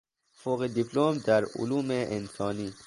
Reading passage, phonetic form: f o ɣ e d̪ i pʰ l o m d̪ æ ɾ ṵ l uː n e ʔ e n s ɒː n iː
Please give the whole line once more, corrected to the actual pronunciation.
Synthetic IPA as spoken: f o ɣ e d̪ i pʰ l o m d̪ æ ɾ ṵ l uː m e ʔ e n s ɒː n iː